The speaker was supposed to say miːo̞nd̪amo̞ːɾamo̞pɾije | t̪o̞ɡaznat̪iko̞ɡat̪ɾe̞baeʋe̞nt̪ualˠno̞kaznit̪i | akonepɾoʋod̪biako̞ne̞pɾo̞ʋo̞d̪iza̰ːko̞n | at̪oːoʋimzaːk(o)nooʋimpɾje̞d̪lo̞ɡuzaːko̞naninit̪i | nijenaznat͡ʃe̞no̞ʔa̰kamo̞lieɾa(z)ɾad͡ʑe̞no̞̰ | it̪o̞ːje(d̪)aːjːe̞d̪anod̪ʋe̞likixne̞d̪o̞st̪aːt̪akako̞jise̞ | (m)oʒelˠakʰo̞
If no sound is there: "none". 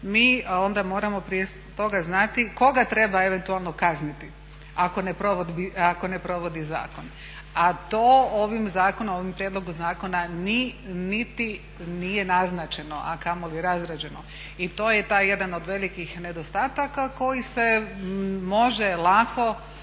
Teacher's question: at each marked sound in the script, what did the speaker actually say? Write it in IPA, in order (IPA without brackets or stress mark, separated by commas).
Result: o, z, t̪, m